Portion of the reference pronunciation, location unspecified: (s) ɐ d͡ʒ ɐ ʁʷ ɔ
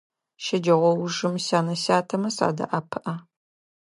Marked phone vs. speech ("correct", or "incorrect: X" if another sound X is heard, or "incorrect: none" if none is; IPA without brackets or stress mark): incorrect: ʃ